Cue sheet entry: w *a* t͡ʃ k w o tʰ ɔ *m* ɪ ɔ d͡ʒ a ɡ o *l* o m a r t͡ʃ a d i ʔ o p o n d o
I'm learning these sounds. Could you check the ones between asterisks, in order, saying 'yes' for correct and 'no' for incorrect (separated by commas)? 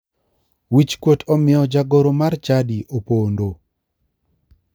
no, yes, no